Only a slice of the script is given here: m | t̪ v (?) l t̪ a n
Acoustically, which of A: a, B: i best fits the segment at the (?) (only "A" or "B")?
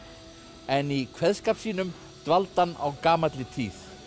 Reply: A